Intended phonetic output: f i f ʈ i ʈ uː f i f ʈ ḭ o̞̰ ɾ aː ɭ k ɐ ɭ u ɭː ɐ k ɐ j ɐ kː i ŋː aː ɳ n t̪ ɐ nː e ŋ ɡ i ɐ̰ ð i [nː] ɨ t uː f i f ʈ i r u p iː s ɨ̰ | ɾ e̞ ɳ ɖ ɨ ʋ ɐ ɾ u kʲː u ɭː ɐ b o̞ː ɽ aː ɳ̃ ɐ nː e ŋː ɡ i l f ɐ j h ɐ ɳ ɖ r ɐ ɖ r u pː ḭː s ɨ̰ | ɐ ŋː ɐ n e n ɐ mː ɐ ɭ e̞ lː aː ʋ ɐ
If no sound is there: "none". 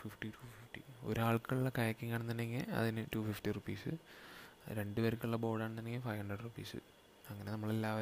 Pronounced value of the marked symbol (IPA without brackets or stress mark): n